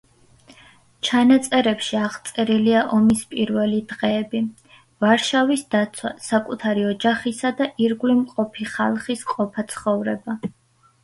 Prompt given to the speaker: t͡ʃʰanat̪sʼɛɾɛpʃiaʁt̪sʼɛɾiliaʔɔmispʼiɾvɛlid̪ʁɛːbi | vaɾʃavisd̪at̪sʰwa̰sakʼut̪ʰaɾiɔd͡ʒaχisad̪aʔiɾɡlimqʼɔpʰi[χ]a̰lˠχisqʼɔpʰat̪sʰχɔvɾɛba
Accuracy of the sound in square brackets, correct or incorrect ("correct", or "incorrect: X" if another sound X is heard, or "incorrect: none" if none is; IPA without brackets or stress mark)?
correct